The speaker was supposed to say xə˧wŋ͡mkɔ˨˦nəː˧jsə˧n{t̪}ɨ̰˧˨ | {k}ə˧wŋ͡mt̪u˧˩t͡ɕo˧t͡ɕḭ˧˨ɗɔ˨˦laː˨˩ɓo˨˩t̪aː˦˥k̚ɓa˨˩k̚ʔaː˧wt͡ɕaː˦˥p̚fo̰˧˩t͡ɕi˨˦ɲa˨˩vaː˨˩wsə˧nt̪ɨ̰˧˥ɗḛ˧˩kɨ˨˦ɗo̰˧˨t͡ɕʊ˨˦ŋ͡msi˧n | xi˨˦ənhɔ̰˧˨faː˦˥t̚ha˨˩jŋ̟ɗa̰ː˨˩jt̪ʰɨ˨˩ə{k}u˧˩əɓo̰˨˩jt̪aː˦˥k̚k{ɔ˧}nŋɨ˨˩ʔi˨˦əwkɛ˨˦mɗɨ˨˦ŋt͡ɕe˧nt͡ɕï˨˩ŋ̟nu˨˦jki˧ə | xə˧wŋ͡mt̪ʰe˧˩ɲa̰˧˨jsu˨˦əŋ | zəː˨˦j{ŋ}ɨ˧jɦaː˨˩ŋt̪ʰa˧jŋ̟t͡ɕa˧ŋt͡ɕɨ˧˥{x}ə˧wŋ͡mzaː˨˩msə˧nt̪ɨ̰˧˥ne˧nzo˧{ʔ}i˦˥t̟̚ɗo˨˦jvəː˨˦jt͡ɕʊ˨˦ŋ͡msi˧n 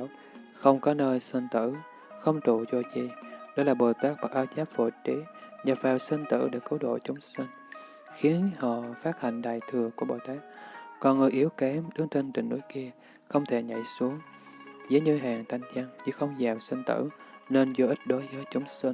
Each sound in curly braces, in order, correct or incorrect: correct, incorrect: x, correct, incorrect: ɔ˨˩, incorrect: ɲ, correct, correct

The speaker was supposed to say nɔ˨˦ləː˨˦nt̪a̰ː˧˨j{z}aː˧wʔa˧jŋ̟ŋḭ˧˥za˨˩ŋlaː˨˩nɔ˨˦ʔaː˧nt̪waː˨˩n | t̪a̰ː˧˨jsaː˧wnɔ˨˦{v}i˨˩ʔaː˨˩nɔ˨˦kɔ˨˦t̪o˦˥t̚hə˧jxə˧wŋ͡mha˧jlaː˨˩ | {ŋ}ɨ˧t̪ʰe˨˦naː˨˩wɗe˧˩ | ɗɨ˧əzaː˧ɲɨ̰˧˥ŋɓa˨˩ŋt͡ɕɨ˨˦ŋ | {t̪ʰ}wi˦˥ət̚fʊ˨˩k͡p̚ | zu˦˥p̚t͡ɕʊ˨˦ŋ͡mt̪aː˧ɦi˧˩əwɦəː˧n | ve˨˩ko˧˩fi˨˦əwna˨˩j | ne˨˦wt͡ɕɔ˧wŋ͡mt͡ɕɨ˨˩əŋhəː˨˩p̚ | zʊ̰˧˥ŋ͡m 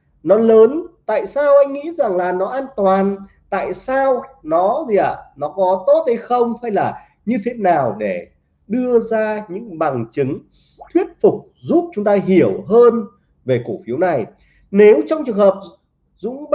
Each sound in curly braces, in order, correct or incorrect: incorrect: s, incorrect: z, incorrect: ɲ, correct

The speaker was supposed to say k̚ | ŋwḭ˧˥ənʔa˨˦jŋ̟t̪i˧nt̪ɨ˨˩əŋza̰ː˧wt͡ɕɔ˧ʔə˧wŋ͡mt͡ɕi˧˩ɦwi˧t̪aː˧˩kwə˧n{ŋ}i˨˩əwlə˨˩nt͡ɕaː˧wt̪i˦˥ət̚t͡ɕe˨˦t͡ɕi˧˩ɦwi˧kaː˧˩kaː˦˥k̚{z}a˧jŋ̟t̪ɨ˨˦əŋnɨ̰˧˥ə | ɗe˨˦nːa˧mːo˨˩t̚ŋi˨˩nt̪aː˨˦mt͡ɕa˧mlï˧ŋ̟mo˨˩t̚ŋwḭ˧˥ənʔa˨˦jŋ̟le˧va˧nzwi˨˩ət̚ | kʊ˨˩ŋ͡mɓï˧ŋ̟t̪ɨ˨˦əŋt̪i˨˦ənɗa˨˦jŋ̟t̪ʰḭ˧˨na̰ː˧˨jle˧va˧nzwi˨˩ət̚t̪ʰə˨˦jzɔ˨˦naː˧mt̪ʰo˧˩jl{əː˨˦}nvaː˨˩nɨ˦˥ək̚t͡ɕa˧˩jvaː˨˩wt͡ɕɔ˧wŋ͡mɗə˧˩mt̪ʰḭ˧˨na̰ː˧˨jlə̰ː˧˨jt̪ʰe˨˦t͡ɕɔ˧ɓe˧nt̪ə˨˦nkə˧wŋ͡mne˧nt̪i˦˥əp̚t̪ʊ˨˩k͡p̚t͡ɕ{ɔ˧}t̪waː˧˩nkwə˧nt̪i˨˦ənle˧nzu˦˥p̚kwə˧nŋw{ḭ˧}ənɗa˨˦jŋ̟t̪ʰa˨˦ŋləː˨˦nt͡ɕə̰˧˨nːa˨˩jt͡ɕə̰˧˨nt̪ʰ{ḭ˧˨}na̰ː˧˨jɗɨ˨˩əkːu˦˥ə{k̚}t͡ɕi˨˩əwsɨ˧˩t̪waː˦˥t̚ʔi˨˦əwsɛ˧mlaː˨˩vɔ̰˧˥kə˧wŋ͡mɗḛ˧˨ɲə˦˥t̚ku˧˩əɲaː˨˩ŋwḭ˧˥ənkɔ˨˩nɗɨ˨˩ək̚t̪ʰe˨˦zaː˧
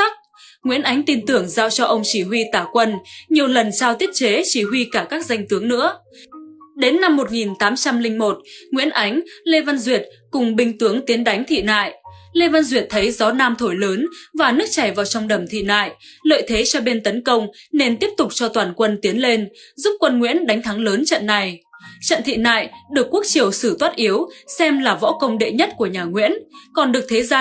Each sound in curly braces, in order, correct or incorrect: incorrect: ɲ, correct, correct, correct, incorrect: ḭ˧˥, correct, correct

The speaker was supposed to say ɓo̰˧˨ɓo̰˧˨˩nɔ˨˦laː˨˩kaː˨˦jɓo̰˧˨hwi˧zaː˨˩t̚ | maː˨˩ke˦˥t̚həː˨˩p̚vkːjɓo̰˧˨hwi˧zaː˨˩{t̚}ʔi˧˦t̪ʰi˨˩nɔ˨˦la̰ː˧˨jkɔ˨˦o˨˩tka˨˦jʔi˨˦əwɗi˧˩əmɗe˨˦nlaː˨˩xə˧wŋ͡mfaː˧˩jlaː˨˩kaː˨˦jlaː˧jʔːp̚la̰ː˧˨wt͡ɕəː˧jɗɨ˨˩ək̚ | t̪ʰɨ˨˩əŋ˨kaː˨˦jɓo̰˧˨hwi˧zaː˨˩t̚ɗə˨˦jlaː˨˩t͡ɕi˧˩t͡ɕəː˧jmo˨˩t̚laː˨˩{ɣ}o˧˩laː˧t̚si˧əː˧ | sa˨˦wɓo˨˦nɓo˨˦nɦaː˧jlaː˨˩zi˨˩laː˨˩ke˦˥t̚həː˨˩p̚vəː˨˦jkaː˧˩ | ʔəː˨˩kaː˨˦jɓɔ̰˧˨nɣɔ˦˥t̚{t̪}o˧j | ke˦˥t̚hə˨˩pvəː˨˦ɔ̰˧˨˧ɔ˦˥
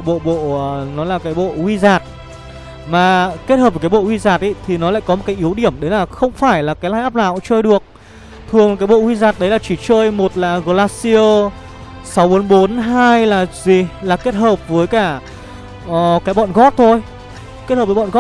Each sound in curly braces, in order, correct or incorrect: correct, correct, incorrect: t̪ʰ

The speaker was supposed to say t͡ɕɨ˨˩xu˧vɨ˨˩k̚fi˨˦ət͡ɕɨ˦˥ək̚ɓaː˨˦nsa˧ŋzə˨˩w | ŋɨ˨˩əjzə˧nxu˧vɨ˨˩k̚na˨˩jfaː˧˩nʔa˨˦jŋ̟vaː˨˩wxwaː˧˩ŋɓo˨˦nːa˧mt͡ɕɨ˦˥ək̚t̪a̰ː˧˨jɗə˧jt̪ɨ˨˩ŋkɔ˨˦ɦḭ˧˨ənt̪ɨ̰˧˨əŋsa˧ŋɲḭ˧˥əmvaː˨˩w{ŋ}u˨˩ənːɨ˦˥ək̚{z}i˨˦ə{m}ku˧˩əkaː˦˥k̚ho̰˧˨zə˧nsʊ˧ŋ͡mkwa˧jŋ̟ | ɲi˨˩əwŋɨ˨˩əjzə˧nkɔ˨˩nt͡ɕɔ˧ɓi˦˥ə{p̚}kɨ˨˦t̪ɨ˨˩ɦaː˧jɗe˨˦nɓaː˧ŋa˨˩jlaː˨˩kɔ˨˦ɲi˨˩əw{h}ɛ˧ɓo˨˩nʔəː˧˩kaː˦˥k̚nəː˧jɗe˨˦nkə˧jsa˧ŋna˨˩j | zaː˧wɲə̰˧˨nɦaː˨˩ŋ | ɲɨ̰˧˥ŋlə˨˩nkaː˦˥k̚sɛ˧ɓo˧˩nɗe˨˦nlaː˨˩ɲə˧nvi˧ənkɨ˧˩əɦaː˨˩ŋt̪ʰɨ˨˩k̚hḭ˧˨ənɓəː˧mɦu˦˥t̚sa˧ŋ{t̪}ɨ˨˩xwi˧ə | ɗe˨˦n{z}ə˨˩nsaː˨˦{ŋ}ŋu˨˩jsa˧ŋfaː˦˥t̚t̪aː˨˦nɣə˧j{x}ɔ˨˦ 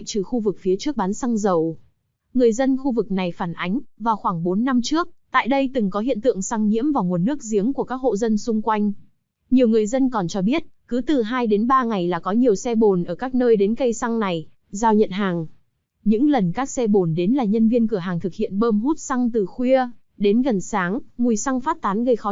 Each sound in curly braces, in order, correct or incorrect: correct, correct, incorrect: ŋ, incorrect: t̚, incorrect: s, correct, incorrect: ɣ, correct, correct

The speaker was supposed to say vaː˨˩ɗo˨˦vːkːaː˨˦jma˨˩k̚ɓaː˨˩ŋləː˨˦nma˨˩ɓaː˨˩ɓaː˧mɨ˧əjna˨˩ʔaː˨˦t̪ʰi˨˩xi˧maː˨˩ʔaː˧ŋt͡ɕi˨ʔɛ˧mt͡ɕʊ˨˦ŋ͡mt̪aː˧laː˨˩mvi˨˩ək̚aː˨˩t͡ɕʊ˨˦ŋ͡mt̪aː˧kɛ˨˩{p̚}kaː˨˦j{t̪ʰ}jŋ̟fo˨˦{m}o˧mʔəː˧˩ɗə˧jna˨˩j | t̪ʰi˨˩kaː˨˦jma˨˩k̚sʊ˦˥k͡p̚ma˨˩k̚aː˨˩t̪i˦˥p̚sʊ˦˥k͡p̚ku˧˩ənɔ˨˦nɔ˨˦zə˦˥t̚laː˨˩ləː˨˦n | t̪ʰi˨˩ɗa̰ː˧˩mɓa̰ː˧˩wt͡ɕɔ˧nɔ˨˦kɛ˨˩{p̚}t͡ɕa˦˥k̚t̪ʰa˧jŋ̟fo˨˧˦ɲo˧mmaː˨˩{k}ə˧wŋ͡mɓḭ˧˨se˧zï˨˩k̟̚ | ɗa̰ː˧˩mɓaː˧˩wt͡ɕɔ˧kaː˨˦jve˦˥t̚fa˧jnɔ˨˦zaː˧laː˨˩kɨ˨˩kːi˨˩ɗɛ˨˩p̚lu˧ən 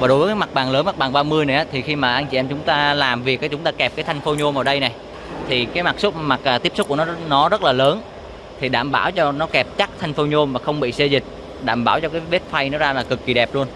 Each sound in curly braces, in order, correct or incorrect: correct, correct, incorrect: ɲ, correct, incorrect: x

